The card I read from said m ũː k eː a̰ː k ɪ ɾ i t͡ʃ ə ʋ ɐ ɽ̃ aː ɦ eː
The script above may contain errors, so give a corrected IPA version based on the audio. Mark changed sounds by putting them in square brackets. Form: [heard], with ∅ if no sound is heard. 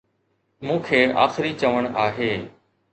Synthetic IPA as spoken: m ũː [kʰ] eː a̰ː [x] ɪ ɾ i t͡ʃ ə ʋ [ə] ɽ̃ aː ɦ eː

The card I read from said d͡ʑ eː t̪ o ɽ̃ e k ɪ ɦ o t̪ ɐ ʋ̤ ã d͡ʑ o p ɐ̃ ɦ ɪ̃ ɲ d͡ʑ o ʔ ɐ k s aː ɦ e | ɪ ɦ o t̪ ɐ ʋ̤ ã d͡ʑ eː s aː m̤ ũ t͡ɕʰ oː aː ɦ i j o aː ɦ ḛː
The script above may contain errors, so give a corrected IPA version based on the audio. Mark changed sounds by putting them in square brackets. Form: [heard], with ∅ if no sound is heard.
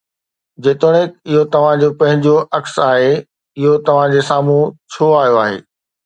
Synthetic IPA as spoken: d͡ʑ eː t̪ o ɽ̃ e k ɪ ɦ o t̪ ɐ ʋ̤ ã d͡ʑ o p ɐ̃ ɦ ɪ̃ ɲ d͡ʑ o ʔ ɐ k s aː ɦ e | ɪ ɦ o t̪ ɐ ʋ̤ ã d͡ʑ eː s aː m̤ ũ t͡ɕʰ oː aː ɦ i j o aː ɦ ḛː

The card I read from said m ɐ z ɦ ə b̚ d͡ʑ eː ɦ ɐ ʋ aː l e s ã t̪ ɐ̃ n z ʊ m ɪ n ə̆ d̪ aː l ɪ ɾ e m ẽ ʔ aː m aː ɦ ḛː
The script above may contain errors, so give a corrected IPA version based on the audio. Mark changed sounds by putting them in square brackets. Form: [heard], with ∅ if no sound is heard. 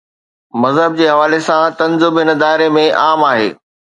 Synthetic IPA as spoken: m ɐ z ɦ ə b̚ d͡ʑ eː ɦ ɐ ʋ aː l e s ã t̪ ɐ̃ n z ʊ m ɪ n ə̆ d̪ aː [∅] ɪ ɾ e m ẽ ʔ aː m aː ɦ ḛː

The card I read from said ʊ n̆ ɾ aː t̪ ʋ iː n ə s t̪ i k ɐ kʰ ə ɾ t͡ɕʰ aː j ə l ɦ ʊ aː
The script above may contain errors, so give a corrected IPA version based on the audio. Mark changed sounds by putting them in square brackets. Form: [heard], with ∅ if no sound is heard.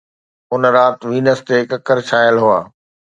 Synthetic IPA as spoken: ʊ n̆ ɾ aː t̪ ʋ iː n ə s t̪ [e] k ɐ [k] ə ɾ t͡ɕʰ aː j ə l ɦ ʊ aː

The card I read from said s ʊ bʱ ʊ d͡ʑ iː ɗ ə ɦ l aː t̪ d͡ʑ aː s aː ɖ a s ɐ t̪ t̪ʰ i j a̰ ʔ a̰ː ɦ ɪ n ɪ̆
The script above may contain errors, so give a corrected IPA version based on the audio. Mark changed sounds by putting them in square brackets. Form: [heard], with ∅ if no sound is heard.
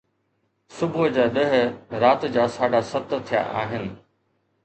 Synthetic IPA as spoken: s ʊ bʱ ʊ d͡ʑ [aː] ɗ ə ɦ [ɾ] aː t̪ d͡ʑ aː s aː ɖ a s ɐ t̪ t̪ʰ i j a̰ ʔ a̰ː ɦ ɪ n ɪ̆

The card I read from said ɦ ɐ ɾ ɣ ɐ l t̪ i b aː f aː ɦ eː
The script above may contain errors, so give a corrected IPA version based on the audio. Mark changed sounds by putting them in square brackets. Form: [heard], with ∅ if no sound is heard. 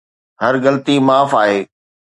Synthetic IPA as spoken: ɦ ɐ ɾ ɣ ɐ l t̪ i [m] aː f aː ɦ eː

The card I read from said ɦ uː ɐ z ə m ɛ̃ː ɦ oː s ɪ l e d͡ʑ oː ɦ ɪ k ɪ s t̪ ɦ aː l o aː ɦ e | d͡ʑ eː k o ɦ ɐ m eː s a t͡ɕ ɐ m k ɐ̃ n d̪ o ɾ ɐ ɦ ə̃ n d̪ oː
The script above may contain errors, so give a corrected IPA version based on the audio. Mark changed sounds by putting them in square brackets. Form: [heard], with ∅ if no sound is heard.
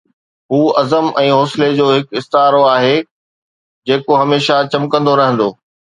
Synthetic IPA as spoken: ɦ uː ɐ z ə m ɛ̃ː ɦ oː s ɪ l e d͡ʑ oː ɦ ɪ k ɪ s t̪ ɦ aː [ɾ] o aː ɦ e | d͡ʑ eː k o ɦ ɐ m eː [ʃ] a t͡ɕ ɐ m k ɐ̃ n d̪ o ɾ ɐ ɦ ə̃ n d̪ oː

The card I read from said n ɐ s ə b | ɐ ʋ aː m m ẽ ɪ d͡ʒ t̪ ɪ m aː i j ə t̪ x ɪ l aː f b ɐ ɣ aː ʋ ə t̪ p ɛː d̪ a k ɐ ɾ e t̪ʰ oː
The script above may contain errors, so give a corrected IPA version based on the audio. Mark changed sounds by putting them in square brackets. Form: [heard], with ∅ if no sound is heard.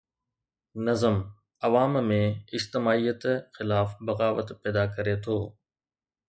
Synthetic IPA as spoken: n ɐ [z] ə [m] | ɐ ʋ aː m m ẽ ɪ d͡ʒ t̪ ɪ m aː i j ə t̪ x ɪ l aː f b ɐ ɣ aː ʋ ə t̪ p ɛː d̪ a k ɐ ɾ e t̪ʰ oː

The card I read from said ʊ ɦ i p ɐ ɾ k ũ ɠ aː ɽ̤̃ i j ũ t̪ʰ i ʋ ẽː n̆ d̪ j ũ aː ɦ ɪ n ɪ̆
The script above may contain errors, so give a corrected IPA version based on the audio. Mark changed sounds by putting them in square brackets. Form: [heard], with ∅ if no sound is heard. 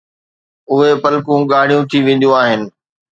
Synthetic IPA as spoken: ʊ ɦ [e] p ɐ [l] k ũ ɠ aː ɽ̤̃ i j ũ t̪ʰ i ʋ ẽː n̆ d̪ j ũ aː ɦ ɪ n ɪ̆

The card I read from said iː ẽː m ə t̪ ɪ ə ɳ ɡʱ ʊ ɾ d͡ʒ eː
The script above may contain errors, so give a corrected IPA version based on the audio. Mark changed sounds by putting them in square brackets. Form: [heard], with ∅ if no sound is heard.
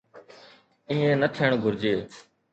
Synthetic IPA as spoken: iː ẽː [n] ə [t̪ʰ] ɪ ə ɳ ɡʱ ʊ ɾ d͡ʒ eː

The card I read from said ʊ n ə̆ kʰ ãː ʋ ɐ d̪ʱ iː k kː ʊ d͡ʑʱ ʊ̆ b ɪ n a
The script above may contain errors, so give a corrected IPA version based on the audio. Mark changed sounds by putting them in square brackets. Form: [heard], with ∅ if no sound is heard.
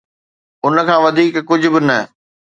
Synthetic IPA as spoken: ʊ n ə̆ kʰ ãː ʋ ɐ d̪ʱ iː k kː ʊ d͡ʑʱ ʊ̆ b ɪ n [ɐ]

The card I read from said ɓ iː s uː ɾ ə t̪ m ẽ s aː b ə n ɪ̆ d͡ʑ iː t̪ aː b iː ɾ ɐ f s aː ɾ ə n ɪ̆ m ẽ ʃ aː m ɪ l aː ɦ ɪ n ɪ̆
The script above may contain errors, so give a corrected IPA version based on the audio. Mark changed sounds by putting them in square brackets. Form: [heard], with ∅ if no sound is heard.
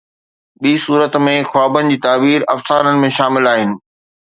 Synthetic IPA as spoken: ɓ iː s uː ɾ ə t̪ m ẽ [x] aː b ə n ɪ̆ d͡ʑ iː t̪ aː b iː ɾ ɐ f s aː ɾ ə n ɪ̆ m ẽ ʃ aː m ɪ l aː ɦ ɪ n ɪ̆

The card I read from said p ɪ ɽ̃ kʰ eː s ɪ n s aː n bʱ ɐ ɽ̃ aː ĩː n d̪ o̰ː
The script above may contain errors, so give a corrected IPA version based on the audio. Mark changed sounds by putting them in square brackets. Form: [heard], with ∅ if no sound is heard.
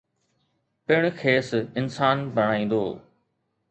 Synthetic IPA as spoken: p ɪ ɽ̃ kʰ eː s ɪ n s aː n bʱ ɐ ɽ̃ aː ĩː n d̪ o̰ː

